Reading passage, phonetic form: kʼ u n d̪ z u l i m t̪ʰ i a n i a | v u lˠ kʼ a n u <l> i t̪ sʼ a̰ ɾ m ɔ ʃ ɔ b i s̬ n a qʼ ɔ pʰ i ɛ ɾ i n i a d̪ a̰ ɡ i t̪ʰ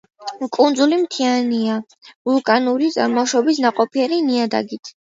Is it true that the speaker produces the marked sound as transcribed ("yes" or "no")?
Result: no